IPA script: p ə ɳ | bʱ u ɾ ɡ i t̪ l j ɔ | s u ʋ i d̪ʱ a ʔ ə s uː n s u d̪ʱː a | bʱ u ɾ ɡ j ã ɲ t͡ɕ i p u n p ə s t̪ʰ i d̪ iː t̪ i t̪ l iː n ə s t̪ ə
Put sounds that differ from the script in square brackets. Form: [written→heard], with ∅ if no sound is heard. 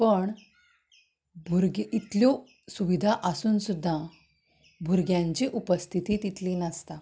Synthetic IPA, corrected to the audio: p ə ɳ | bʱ u ɾ ɡ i t̪ l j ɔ | s u ʋ i d̪ʱ a ʔ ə s uː n s u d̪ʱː a | bʱ u ɾ ɡ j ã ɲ t͡ɕ i [p→ʔ] u [n→∅] p ə s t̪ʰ i [d̪→t̪] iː t̪ i t̪ l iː n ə s t̪ [ə→a]